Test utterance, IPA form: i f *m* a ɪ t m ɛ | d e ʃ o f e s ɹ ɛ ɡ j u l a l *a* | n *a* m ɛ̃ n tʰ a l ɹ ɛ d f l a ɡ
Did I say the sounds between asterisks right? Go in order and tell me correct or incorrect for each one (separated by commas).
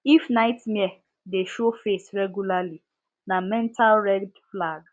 incorrect, incorrect, correct